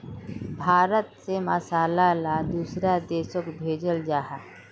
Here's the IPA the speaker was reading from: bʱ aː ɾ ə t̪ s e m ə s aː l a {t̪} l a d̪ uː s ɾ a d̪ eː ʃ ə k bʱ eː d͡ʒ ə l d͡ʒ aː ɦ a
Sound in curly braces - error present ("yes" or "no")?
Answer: yes